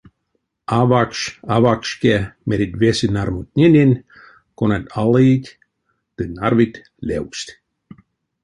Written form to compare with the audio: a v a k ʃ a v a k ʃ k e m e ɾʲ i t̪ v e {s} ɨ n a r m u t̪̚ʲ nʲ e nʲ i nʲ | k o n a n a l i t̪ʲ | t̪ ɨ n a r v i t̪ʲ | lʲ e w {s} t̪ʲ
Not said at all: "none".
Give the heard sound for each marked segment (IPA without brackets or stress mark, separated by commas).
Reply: s, s